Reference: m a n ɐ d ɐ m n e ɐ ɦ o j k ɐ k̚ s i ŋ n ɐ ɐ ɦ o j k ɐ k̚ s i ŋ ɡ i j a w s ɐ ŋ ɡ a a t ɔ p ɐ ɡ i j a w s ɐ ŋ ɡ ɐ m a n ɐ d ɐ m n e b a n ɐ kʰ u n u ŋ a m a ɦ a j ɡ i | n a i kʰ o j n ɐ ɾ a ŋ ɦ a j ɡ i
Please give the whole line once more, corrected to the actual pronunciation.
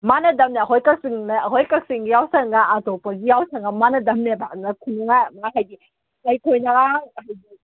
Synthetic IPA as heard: m a n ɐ d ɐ m n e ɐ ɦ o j k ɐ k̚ s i ŋ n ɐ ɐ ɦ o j k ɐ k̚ s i ŋ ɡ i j a w s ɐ ŋ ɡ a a t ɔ p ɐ ɡ i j a w s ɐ ŋ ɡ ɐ m a n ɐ d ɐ m n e b a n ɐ kʰ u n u ŋ a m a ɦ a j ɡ i | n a j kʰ o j n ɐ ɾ a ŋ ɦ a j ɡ i